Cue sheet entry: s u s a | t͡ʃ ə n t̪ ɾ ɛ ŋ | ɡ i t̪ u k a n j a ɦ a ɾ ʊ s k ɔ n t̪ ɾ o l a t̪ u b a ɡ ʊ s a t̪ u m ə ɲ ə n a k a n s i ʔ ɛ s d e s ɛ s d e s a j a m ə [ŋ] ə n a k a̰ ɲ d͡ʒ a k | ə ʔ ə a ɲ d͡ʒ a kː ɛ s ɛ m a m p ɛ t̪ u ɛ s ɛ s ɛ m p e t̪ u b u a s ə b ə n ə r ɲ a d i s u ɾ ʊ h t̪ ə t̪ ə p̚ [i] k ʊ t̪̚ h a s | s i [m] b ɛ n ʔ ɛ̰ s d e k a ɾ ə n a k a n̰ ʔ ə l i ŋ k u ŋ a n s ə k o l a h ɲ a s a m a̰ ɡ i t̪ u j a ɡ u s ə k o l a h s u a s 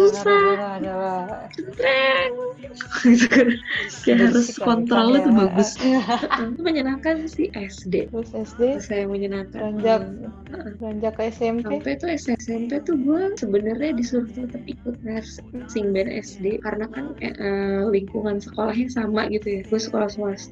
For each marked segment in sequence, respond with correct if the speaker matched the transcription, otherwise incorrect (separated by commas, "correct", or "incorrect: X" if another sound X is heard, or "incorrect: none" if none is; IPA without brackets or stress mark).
incorrect: ɲ, correct, incorrect: ŋ